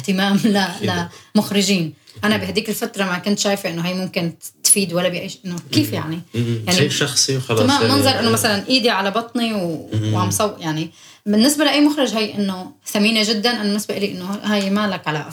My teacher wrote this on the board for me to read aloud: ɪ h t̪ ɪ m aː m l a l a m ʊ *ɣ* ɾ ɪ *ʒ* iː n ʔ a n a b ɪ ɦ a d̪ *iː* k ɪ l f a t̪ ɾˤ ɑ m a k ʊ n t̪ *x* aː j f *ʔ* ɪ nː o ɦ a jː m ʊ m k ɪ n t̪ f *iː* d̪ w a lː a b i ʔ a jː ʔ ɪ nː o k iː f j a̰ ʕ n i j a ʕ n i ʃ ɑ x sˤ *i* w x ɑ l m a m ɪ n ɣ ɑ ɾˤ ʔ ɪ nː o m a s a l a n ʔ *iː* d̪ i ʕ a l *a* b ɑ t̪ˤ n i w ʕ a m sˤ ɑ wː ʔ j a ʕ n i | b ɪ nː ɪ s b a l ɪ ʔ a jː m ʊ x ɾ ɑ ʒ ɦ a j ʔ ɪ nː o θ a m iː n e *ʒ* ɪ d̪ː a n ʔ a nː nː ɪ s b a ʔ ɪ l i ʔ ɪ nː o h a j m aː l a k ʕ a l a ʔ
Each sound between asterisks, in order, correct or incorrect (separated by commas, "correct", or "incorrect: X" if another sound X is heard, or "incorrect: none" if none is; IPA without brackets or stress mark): incorrect: x, correct, correct, incorrect: ʃ, correct, correct, correct, correct, correct, correct